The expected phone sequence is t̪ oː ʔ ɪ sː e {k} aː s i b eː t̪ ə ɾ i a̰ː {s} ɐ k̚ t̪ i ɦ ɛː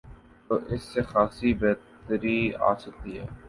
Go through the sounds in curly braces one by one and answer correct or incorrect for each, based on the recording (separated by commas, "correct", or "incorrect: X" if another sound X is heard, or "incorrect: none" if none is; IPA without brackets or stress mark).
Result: incorrect: x, correct